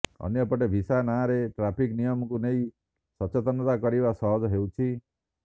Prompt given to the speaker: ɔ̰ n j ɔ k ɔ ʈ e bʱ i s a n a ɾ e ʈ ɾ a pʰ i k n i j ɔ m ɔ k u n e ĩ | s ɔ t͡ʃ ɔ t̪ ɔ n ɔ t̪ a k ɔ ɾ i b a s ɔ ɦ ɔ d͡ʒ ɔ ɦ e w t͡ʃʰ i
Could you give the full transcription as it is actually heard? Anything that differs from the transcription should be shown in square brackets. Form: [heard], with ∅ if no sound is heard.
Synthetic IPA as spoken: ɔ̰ n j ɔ [p] ɔ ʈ e bʱ i s a n a ɾ e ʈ ɾ a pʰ i k n i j ɔ m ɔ k u n e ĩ | s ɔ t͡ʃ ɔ t̪ ɔ n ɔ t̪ a k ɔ ɾ i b a s ɔ ɦ ɔ d͡ʒ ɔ ɦ e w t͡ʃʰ i